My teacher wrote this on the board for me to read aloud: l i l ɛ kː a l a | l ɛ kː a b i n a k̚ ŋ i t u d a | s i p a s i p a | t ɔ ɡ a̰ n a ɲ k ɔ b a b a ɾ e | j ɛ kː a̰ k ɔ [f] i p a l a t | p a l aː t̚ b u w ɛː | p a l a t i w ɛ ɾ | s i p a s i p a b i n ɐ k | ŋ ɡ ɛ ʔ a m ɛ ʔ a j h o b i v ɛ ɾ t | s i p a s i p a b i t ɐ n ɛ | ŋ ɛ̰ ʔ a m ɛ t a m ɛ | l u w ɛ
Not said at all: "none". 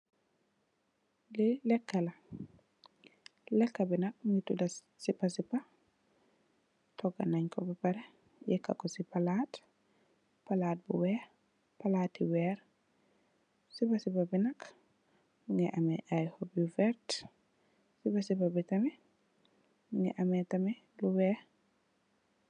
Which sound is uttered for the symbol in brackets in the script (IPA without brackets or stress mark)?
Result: s